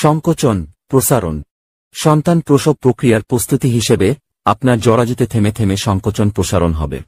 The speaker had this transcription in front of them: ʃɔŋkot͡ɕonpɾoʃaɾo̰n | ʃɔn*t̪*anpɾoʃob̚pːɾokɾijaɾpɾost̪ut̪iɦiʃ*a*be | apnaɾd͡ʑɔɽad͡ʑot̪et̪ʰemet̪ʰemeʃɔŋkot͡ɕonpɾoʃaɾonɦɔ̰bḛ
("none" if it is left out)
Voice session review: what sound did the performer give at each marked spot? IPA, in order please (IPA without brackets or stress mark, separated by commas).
t̪, e